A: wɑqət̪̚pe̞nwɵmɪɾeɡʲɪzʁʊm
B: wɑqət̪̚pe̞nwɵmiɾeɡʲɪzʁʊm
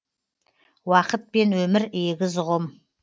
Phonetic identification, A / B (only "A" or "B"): A